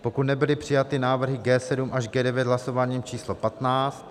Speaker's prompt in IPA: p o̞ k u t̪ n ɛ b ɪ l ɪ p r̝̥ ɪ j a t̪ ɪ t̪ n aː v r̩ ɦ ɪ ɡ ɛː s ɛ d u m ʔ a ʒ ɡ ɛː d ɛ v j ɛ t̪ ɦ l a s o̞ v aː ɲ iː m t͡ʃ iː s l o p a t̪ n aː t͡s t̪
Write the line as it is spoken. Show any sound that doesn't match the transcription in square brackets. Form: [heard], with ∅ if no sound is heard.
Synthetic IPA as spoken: p o̞ k u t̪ n ɛ b ɪ l ɪ p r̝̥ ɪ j a t̪ ɪ [∅] n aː v r̩ ɦ ɪ ɡ ɛː s ɛ d u m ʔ a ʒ ɡ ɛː d ɛ v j ɛ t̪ ɦ l a s o̞ v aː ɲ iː m t͡ʃ iː s l o p a t̪ n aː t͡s t̪

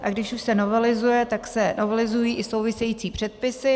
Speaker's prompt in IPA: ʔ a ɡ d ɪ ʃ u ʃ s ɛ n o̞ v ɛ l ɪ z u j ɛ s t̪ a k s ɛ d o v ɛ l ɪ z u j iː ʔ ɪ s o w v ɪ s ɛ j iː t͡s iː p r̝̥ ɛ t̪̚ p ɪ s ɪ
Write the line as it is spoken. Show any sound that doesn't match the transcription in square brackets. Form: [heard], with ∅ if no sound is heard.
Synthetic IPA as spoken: ʔ a ɡ d ɪ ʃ u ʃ s ɛ n o̞ v ɛ l ɪ z u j ɛ [∅] t̪ a k s ɛ [n] o v ɛ l ɪ z u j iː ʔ ɪ s o w v ɪ s ɛ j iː t͡s iː p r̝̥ ɛ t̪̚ p ɪ s ɪ

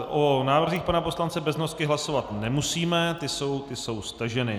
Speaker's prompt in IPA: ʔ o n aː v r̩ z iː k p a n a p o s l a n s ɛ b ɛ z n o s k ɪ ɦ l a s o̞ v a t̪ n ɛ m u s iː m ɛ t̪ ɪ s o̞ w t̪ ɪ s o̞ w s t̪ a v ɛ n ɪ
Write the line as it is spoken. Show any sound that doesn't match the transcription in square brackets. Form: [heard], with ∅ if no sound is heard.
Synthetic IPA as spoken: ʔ o n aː v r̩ z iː [x] p a n a p o s l a n [t͡s] ɛ b ɛ z n o s k ɪ ɦ l a s o̞ v a t̪ n ɛ m u s iː m ɛ t̪ ɪ s o̞ w t̪ ɪ s o̞ w s t̪ a [ʒ] ɛ n ɪ

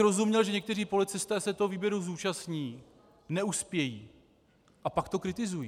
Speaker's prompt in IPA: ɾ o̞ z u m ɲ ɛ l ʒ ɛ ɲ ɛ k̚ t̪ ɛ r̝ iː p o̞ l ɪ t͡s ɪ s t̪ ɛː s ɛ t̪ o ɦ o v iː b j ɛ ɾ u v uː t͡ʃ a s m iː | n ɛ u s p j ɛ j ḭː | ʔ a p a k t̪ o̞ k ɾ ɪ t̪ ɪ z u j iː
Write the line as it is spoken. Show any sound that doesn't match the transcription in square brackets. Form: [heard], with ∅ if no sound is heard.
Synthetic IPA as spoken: ɾ o̞ z u m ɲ ɛ l ʒ ɛ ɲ ɛ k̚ t̪ ɛ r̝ iː p o̞ l ɪ t͡s ɪ s t̪ ɛː s ɛ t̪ o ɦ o v iː b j ɛ ɾ u [z] uː t͡ʃ a s [ɲ] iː | n ɛ u s p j ɛ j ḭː | ʔ a p a k t̪ o̞ k ɾ ɪ t̪ ɪ z u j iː

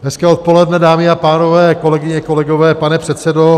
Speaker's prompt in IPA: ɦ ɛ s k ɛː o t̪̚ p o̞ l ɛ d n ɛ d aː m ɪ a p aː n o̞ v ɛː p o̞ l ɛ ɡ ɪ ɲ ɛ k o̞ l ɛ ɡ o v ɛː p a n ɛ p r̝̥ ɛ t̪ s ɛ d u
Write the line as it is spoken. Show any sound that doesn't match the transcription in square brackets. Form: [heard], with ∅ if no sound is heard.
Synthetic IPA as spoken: ɦ ɛ s k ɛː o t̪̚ p o̞ l ɛ d n ɛ d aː m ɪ a p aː n o̞ v ɛː [k] o̞ l ɛ ɡ ɪ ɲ ɛ k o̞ l ɛ ɡ o v ɛː p a n ɛ p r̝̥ ɛ t̪ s ɛ d [o]

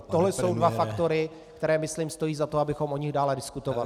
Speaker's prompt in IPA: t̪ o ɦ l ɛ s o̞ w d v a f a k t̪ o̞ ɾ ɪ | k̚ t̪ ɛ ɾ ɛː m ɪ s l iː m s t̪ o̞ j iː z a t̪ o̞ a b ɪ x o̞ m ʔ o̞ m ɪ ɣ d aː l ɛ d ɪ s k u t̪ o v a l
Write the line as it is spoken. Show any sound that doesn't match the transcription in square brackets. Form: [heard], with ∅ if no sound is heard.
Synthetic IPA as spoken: t̪ o ɦ l ɛ s o̞ w d v a f a k t̪ o̞ ɾ ɪ | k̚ t̪ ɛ ɾ ɛː m ɪ s l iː m s t̪ o̞ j iː z a t̪ o̞ a b ɪ x o̞ m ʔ o̞ [ɲ] ɪ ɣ d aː l ɛ d ɪ s k u t̪ o v a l

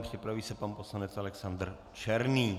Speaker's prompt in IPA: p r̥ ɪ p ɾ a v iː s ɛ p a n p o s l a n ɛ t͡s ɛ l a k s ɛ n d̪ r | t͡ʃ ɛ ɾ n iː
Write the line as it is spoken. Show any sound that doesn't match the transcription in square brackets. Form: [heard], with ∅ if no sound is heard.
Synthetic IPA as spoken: p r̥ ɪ p ɾ a v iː s ɛ p a n p o s l a n ɛ t͡s [a] l [ɛ] k s [a] n d̪ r | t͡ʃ ɛ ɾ n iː

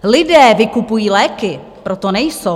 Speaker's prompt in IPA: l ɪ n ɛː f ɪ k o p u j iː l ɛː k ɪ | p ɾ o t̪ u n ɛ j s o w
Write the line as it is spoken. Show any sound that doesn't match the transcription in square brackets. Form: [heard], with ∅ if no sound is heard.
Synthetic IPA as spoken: l ɪ [d] ɛː [v] ɪ k [u] p u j iː l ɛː k ɪ | p ɾ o t̪ [o] n ɛ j s o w

